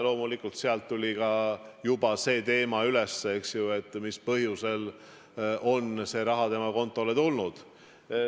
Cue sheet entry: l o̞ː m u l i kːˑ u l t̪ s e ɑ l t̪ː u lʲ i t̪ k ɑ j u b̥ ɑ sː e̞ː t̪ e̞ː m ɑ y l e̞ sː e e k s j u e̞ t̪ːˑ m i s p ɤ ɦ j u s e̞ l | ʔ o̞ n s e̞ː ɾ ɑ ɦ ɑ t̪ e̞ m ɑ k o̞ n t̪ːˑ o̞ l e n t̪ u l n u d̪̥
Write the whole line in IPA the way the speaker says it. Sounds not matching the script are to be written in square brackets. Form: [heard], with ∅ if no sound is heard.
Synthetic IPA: l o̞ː m u l i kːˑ u l t̪ s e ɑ l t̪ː u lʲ i [∅] k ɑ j u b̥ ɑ [s] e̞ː t̪ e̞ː m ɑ y l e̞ sː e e k s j u e̞ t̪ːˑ m i s p ɤ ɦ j u s e̞ l | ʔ o̞ n s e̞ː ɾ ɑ ɦ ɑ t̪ e̞ m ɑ k o̞ n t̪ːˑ o̞ l e [∅] t̪ u l n u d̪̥

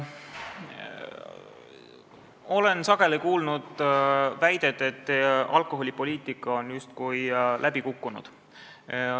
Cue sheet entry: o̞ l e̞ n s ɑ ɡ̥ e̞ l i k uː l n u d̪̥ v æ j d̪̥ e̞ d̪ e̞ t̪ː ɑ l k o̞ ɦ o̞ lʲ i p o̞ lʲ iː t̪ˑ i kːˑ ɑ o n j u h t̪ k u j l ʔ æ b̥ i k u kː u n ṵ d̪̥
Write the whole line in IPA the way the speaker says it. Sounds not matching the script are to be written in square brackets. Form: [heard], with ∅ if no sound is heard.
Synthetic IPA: o̞ l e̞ n s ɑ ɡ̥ e̞ l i k uː l n u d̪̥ v æ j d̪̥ e̞ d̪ e̞ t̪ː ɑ l k o̞ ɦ o̞ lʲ i p o̞ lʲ iː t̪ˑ i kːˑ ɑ o n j u [s] t̪ k u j l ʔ æ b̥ i k u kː u n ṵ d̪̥

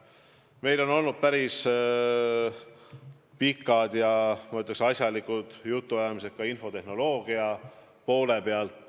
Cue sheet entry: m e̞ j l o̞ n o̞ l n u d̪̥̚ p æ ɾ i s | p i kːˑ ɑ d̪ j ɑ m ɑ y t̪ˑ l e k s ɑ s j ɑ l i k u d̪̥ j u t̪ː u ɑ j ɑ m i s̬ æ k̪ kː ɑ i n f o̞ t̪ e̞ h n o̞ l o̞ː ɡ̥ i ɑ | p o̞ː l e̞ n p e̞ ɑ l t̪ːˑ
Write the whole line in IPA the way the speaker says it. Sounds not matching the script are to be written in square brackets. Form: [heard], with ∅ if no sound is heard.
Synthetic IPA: m e̞ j l o̞ n o̞ l n u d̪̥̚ p æ ɾ i s | p i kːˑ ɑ d̪ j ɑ m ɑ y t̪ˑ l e k s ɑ s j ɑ l i k u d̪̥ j u t̪ː u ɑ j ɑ m i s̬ [e] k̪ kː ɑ i n f o̞ t̪ e̞ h n o̞ l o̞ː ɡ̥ i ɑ | p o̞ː l e̞ [∅] p e̞ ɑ l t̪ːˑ

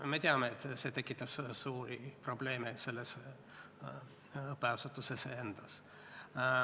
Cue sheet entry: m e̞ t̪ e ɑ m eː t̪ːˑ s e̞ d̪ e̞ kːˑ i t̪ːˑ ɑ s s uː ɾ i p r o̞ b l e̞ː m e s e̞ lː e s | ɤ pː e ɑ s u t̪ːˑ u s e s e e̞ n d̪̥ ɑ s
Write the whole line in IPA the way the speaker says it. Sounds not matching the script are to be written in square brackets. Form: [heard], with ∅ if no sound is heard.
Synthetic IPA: m e̞ t̪ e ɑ m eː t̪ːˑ s e̞ [t̪] e̞ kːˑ i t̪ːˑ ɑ s s uː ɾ i p r o̞ b l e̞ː m e s e̞ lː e s | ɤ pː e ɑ s u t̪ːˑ u s e s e e̞ n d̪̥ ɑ s

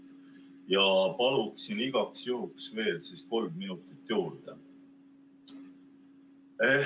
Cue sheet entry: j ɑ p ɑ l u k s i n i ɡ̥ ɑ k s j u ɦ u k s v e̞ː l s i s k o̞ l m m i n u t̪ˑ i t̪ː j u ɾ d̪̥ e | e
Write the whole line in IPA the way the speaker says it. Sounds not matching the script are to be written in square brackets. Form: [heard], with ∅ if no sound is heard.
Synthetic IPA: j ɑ p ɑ l u k s i n i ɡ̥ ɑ k s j u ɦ u k s v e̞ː l s i s k o̞ l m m i n u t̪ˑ i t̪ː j [uː] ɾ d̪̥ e | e

